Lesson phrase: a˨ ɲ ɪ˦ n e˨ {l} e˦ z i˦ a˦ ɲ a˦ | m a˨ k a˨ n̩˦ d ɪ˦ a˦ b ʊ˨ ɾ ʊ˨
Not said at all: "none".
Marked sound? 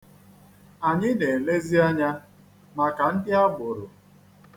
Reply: l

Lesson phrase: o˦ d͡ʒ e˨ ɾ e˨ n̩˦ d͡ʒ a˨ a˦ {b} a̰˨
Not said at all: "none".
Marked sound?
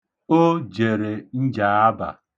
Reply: b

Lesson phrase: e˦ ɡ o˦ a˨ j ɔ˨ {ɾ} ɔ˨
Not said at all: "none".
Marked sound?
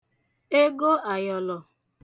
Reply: l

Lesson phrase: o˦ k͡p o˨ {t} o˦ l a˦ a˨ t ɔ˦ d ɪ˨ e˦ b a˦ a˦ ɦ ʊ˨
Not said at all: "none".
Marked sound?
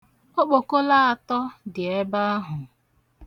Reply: k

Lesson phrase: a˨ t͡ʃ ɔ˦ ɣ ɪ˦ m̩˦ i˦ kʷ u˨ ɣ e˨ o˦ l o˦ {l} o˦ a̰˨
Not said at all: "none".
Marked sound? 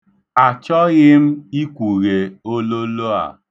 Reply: l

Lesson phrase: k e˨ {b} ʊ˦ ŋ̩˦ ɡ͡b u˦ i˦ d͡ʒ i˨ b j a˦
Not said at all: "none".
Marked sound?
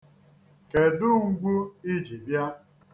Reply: d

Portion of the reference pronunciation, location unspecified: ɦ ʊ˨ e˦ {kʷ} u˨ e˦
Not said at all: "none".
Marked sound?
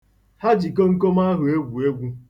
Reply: ɡʷ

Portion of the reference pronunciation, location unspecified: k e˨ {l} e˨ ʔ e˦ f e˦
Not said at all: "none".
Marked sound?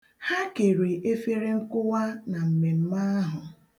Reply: ɾ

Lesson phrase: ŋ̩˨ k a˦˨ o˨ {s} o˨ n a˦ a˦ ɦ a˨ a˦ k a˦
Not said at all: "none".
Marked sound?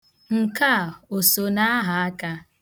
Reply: s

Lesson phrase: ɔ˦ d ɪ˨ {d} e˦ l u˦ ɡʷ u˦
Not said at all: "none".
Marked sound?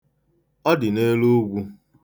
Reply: n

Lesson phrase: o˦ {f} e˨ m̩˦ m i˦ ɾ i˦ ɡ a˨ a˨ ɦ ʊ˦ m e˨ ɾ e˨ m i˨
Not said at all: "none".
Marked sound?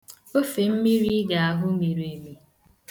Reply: f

